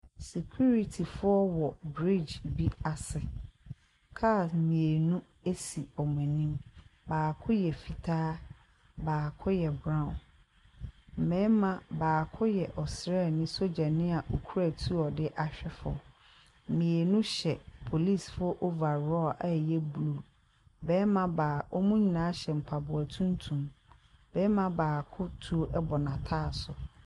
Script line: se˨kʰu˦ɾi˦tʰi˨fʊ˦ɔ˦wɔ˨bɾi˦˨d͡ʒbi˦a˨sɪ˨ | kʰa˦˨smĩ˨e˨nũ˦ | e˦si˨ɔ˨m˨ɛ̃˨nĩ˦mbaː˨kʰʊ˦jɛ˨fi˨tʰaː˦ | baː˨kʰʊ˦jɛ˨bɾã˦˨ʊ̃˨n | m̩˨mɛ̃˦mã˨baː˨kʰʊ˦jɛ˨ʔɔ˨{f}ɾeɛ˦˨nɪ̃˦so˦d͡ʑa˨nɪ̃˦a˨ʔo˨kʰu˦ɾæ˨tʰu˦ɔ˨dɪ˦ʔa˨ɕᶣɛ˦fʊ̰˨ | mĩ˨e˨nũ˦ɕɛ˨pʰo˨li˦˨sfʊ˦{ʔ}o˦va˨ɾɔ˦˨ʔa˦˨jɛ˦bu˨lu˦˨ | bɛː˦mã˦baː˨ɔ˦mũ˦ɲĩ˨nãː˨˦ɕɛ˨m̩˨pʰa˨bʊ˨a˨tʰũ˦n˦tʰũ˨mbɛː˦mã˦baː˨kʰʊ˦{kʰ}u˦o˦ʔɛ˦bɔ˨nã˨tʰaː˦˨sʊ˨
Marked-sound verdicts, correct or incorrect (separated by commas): incorrect, correct, incorrect